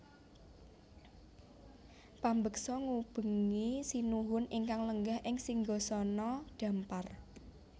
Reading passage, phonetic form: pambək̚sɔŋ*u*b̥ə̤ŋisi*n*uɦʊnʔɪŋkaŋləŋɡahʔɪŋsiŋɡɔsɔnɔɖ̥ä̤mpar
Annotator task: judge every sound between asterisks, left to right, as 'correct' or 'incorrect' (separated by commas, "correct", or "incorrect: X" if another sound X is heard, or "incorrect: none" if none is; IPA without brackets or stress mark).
correct, correct